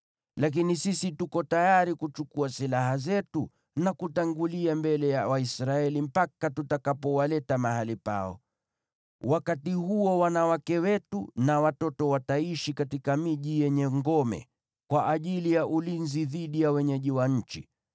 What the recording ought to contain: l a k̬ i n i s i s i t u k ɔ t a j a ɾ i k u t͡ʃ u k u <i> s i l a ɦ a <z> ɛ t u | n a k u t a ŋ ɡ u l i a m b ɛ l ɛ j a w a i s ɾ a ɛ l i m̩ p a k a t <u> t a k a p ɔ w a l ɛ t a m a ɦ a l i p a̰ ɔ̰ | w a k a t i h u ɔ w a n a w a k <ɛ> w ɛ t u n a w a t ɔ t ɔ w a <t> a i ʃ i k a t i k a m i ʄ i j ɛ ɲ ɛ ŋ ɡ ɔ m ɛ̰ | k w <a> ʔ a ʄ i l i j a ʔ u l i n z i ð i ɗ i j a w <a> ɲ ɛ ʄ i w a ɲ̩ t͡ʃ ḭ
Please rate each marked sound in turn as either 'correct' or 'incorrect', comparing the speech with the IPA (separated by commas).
incorrect, correct, correct, correct, correct, correct, incorrect